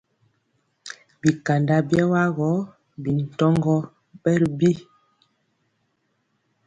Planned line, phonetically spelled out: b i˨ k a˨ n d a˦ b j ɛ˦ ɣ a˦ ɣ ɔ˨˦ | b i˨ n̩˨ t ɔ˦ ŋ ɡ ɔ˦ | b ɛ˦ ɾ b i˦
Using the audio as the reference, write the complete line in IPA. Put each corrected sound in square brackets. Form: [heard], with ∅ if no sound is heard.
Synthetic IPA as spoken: b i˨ k a˨ n d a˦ b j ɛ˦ [w] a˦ ɣ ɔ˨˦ | b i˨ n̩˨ t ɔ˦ ŋ ɡ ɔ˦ | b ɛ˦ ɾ b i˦